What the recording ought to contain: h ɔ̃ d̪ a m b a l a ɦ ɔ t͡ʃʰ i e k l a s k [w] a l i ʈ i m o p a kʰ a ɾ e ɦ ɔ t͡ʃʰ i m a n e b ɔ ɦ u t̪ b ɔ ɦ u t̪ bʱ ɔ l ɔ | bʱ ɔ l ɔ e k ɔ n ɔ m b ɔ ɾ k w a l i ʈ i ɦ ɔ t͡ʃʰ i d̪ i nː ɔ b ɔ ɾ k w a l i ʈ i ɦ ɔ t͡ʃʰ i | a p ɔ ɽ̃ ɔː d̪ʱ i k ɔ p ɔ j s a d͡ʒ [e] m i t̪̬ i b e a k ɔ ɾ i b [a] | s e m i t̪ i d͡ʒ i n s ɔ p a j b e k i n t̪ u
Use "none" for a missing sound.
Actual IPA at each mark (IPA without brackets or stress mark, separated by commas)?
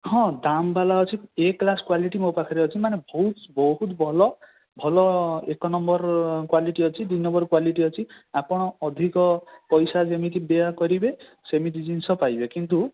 w, e, e